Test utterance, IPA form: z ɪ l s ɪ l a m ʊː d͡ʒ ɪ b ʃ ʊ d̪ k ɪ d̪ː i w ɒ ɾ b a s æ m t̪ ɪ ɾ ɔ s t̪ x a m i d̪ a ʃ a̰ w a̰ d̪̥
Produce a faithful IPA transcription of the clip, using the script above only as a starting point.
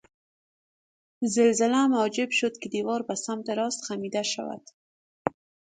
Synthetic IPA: z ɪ l z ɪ l a m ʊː d͡ʒ ɪ b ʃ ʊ d̪ k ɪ d̪ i w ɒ ɾ b a s a m t̪ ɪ ɾ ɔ s t̪ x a m i d̪ a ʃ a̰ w a̰ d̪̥

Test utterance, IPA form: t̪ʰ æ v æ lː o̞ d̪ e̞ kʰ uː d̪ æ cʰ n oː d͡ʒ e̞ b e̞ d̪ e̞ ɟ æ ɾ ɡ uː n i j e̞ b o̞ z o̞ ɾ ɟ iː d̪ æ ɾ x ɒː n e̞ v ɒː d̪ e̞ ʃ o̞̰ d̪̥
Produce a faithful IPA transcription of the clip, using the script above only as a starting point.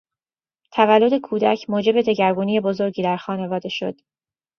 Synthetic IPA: t̪ʰ æ v æ lː o̞ d̪ e̞ kʰ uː d̪ æ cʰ m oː d͡ʒ e̞ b e̞ d̪ e̞ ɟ æ ɾ ɡ uː n i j e̞ b o̞ z o̞ ɾ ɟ iː d̪ æ ɾ x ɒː n e̞ v ɒː d̪ e̞ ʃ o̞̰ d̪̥

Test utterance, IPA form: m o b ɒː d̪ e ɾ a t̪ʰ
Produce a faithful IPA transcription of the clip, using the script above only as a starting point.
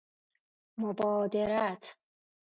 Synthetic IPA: m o b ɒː d̪ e ɾ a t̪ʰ

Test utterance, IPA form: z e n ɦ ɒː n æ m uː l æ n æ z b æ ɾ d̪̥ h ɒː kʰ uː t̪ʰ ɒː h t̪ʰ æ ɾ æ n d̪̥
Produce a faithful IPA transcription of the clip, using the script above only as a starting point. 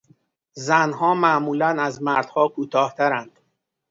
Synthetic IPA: z æ n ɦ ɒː m æ m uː l æ n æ z m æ ɾ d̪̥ h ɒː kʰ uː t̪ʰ ɒː h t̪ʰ æ ɾ æ n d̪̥

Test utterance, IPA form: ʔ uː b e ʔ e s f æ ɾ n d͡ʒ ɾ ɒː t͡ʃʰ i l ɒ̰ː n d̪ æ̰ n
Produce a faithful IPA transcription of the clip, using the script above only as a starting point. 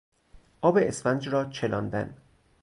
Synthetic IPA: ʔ ɒː b e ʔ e s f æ n d͡ʒ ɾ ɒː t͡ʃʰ e l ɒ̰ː n d̪ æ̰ n

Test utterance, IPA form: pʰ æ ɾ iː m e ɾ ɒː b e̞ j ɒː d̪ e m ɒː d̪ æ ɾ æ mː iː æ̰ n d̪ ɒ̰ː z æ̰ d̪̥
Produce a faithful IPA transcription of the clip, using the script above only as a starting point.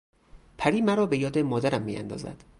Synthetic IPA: pʰ æ ɾ iː m æ ɾ ɒː b e̞ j ɒː d̪ e m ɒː d̪ æ ɾ æ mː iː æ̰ n d̪ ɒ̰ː z æ̰ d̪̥

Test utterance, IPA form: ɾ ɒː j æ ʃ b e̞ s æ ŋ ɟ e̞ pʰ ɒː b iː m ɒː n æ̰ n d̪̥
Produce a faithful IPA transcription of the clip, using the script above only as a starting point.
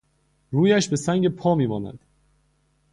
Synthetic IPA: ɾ uː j æ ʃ b e̞ s æ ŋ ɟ e̞ pʰ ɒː m iː m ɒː n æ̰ n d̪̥

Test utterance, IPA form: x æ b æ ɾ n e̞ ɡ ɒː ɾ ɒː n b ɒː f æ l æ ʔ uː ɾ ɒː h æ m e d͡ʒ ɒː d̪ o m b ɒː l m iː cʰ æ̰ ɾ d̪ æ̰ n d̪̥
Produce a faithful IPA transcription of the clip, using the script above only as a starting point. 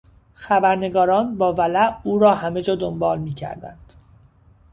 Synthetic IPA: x æ b æ ɾ n e̞ ɡ ɒː ɾ ɒː n b ɒː v æ l æ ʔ uː ɾ ɒː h æ m e d͡ʒ ɒː d̪ o m b ɒː l m iː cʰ æ̰ ɾ d̪ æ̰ n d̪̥

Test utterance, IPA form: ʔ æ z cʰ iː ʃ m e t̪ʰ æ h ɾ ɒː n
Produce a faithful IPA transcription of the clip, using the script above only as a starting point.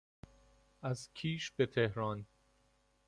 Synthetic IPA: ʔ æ z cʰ iː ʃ b e t̪ʰ e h ɾ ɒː n

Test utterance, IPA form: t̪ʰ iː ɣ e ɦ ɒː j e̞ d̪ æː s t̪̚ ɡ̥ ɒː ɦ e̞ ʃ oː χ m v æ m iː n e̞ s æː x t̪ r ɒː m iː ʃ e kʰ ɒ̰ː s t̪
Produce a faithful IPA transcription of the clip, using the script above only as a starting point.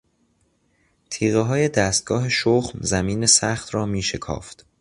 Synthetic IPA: t̪ʰ iː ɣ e ɦ ɒː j e̞ d̪ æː s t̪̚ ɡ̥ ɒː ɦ e̞ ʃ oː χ m z æ m iː n e̞ s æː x t̪ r ɒː m iː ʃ e kʰ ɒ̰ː f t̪

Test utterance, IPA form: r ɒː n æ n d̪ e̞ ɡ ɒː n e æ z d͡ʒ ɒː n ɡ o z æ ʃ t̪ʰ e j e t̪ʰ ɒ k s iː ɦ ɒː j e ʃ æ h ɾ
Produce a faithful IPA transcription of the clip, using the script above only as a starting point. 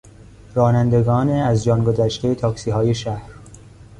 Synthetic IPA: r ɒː n æ n d̪ e̞ ɡ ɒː n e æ z d͡ʒ ɒː n ɡ o z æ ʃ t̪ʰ e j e t̪ʰ ɒː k s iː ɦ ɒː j e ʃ æ h ɾ

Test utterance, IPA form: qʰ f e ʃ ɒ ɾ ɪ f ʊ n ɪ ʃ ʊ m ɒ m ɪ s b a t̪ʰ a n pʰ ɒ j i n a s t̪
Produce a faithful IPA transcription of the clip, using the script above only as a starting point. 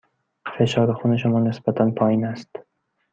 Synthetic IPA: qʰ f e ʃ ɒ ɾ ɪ χ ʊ n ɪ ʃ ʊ m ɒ n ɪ s b a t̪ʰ a n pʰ ɒ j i n a s t̪

